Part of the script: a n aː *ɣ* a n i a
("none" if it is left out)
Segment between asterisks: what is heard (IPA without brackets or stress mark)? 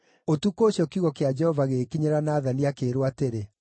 ð